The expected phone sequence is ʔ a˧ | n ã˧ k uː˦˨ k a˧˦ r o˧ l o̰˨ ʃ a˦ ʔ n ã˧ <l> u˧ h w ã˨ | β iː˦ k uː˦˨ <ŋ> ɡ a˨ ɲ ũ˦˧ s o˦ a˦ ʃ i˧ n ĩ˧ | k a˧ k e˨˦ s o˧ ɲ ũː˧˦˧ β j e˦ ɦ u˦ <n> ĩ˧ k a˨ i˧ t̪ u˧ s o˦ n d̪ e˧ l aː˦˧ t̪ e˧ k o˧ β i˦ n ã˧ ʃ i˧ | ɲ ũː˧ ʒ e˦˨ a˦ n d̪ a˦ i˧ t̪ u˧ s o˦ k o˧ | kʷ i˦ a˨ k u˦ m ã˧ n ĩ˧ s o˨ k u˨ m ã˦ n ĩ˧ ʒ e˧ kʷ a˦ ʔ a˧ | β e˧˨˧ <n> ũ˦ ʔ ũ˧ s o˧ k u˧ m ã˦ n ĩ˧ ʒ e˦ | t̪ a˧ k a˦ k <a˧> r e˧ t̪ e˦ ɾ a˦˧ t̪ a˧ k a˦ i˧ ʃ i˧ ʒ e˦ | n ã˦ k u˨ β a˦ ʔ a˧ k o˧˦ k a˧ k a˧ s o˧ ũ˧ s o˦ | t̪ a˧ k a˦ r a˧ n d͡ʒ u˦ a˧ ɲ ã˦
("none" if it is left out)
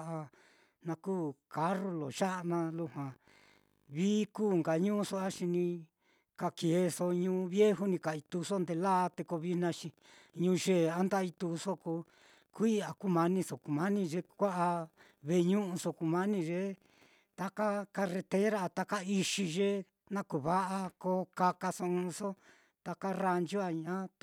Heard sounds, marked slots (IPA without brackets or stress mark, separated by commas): l, ŋ, n, ɲ, a˧